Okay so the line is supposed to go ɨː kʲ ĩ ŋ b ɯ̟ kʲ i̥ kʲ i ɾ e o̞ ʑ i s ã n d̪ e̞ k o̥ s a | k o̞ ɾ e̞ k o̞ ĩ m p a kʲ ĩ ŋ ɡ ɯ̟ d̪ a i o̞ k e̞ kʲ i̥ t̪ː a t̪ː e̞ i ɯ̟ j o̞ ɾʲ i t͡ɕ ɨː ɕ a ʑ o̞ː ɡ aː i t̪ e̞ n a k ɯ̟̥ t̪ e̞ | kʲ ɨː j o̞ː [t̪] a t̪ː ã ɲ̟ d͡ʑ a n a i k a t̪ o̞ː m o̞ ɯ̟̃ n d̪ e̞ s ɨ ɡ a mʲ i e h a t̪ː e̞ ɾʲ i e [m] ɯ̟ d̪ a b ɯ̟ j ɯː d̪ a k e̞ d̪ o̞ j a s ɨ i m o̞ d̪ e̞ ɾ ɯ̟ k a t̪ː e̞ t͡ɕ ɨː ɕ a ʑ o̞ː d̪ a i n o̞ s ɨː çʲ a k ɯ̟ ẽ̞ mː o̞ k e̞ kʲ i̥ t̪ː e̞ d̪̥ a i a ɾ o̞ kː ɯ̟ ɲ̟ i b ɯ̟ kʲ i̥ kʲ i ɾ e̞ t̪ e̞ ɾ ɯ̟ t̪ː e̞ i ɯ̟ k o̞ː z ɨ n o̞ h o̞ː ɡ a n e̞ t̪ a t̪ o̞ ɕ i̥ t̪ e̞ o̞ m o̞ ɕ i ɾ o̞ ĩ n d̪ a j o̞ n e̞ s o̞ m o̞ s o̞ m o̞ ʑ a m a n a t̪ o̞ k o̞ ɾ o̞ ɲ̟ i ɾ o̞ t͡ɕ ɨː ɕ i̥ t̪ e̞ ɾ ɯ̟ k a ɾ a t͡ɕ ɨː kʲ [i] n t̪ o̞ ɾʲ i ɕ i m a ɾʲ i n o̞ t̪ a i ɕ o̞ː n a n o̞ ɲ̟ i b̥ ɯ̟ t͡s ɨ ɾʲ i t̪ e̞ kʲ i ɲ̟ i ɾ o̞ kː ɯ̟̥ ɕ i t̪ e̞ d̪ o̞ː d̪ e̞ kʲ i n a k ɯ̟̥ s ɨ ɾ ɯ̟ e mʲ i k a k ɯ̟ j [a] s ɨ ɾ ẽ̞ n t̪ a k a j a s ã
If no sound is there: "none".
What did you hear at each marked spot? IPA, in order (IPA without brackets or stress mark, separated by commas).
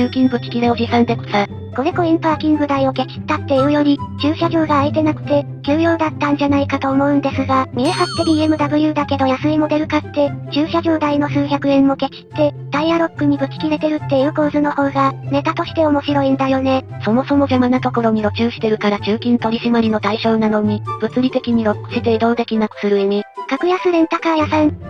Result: d̪, m, ĩ, a